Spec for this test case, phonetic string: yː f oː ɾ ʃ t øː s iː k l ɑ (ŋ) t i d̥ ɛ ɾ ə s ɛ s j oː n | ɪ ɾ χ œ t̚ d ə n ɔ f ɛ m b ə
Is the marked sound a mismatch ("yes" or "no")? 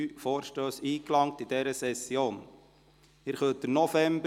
no